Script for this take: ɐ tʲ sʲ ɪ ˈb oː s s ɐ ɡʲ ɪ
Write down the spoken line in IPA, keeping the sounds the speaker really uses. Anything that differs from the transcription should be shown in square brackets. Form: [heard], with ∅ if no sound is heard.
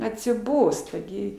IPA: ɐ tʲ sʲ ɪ ˈb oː s [t] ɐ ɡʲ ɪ